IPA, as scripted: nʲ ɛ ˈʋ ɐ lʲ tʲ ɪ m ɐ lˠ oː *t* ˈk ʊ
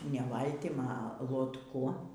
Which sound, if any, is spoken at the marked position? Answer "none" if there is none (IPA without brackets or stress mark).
t